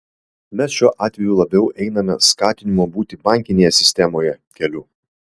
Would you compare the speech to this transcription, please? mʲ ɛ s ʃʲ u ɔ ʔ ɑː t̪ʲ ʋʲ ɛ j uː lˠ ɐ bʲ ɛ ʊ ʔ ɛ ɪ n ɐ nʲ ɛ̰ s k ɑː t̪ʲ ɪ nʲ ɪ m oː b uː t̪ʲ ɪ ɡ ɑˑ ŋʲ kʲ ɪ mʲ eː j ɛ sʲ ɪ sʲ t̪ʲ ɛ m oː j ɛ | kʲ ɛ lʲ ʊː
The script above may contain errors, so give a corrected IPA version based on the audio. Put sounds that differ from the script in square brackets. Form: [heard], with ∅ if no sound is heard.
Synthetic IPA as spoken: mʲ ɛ s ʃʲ u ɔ ʔ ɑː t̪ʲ ʋʲ ɛ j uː lˠ ɐ bʲ ɛ ʊ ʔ ɛ ɪ n ɐ [mʲ] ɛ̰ s k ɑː t̪ʲ ɪ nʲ ɪ m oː b uː t̪ʲ ɪ [b] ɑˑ ŋʲ kʲ ɪ [nʲ] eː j ɛ sʲ ɪ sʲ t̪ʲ ɛ m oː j ɛ | kʲ ɛ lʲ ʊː